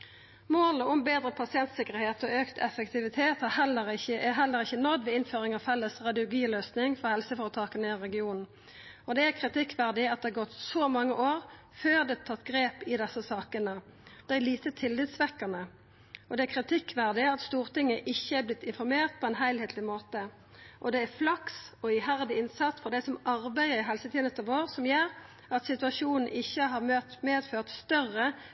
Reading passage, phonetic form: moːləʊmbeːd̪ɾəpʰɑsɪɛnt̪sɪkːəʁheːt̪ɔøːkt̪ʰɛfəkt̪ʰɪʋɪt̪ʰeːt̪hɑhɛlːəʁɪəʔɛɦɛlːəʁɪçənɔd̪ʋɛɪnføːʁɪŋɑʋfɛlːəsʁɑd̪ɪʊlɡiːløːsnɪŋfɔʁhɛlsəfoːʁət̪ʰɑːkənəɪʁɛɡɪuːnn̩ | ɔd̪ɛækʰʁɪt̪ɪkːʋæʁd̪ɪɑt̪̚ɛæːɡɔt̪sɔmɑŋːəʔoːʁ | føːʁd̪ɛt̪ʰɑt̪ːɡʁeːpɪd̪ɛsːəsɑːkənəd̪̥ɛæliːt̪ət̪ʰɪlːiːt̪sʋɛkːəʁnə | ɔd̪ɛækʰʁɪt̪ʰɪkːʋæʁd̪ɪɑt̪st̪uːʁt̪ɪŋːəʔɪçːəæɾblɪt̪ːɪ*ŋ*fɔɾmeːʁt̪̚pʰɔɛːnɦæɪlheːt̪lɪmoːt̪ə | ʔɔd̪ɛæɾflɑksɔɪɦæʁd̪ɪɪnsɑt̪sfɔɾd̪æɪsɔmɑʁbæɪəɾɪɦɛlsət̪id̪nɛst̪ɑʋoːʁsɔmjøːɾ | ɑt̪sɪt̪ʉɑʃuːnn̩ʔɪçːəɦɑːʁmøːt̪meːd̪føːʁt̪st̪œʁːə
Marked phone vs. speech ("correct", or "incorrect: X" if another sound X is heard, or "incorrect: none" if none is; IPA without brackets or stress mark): incorrect: n